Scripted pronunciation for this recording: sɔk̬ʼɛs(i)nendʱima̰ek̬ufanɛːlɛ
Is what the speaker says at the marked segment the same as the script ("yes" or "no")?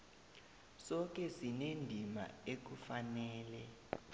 yes